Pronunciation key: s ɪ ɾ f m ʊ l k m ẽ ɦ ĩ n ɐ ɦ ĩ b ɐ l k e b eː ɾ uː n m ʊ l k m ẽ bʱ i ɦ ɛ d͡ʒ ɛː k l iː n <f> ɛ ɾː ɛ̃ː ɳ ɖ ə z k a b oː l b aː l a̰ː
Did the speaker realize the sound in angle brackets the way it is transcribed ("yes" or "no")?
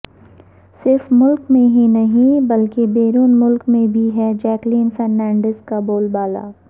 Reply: yes